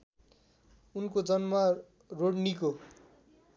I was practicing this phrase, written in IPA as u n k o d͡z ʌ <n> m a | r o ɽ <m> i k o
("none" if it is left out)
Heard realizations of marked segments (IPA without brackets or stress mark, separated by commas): n, n